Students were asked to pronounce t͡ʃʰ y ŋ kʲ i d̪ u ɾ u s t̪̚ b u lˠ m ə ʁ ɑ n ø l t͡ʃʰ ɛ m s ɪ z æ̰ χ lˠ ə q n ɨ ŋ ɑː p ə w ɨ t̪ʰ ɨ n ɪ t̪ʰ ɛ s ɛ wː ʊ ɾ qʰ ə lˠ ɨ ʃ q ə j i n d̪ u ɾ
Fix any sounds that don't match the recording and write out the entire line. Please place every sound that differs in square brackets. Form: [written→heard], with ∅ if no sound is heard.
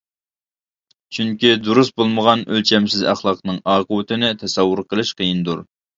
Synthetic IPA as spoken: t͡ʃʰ y ŋ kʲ i d̪ u ɾ u s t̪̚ b [u→o] lˠ m ə ʁ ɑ n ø l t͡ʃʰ ɛ m s ɪ z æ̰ χ lˠ [ə→ɑ] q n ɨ ŋ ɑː [p→q] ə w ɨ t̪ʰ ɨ n ɪ t̪ʰ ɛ s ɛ wː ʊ ɾ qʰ ə lˠ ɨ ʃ q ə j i n d̪ u ɾ